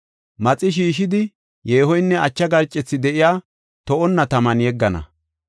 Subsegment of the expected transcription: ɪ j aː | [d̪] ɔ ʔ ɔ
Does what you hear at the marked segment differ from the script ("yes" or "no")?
yes